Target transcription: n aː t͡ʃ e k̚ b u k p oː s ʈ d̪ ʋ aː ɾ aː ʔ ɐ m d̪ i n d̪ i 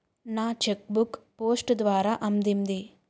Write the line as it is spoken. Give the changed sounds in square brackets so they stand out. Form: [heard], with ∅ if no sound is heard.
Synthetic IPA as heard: n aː t͡ʃ e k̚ b u k p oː s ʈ d̪ ʋ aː ɾ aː ʔ ɐ m d̪ i n d̪ i